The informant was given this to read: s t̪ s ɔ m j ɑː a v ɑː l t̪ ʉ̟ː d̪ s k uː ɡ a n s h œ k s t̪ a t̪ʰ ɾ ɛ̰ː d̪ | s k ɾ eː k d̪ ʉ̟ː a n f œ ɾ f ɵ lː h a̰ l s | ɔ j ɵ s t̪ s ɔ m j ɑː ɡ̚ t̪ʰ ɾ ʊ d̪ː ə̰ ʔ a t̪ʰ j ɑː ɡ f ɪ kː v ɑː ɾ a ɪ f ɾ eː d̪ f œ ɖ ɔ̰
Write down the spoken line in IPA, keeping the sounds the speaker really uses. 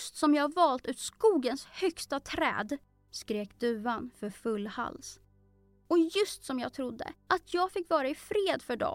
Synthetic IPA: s t̪ s ɔ m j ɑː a v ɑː l t̪ ʉ̟ː t̪ s k uː ɡ ə n s h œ k s t̪ a t̪ʰ ɾ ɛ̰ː d̪ | s k ɾ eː k d̪ ʉ̟ː a n f œ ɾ f ɵ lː h a̰ l s | ɔ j ɵ s t̪ s ɔ m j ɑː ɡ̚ t̪ʰ ɾ ʊ d̪ː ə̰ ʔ a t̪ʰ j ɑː ɡ f ɪ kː v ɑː ɾ a ɪ f ɾ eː d̪ f œ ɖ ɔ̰